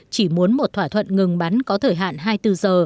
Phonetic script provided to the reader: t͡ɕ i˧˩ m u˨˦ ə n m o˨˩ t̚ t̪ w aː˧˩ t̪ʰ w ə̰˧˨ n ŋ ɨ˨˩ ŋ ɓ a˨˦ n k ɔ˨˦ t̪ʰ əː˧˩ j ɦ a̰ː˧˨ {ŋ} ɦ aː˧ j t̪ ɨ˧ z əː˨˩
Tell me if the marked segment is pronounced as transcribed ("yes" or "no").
no